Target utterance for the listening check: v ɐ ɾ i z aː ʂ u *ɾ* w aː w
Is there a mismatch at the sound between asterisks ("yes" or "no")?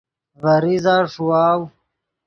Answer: yes